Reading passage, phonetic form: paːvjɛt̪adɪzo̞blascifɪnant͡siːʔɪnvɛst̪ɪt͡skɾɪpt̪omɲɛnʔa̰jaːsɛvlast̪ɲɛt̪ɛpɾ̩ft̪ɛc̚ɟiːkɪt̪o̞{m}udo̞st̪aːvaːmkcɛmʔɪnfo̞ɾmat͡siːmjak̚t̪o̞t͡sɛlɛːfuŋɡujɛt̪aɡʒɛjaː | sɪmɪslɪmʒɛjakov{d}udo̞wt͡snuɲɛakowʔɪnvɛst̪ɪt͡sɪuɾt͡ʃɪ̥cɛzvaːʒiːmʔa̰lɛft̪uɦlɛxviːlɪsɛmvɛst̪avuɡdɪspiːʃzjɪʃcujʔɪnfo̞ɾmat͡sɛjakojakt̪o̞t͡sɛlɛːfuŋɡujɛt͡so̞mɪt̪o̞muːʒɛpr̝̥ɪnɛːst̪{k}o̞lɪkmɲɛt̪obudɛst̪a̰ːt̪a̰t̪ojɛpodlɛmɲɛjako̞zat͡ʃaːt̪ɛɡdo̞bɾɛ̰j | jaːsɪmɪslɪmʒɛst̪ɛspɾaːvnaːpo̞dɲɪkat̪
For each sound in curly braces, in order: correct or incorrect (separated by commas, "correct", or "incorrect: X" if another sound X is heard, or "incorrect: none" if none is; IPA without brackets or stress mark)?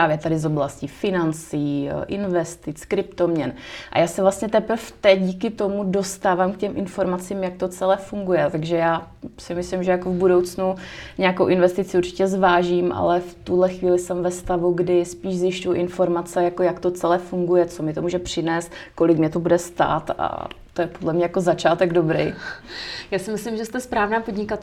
correct, incorrect: b, correct